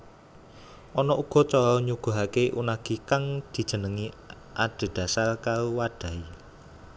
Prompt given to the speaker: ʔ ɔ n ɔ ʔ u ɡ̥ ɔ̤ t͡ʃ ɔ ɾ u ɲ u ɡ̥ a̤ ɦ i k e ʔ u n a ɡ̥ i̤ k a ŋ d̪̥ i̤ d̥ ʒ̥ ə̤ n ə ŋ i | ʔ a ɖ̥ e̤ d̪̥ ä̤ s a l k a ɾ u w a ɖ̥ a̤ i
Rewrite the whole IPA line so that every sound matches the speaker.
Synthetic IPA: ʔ ɔ n ɔ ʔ u ɡ̥ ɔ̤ t͡ʃ ɔ ɾ ɔ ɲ u ɡ̥ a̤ ɦ a k e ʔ u n a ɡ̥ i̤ k a ŋ d̪̥ i̤ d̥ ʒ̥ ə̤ n ə ŋ i | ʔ a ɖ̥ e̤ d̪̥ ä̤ s a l k a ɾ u w a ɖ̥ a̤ i